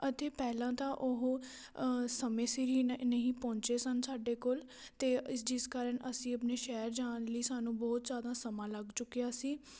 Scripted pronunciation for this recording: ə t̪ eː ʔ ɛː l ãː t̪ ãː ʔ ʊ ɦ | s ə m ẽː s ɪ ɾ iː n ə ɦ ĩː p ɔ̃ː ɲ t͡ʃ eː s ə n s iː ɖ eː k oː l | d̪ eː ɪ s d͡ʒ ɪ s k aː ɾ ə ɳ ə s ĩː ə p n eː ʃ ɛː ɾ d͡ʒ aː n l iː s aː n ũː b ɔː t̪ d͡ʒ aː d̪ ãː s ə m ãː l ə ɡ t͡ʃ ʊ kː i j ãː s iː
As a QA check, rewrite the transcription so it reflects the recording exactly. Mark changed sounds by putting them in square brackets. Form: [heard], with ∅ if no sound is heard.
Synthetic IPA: ə t̪ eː [p] ɛː l ãː t̪ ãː ʔ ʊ ɦ | s ə m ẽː s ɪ ɾ iː n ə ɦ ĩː p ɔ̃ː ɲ t͡ʃ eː s ə n s [aː] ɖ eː k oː l | [t̪] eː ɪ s d͡ʒ ɪ s k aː ɾ ə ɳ ə s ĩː ə p n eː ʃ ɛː ɾ d͡ʒ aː n l iː s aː n ũː b ɔː t̪ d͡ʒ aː d̪ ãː s ə m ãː l ə ɡ t͡ʃ ʊ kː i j [aː] s iː